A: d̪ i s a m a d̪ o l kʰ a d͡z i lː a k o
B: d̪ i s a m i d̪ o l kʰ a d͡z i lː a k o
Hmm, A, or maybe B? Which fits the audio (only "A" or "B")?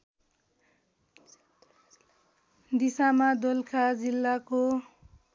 A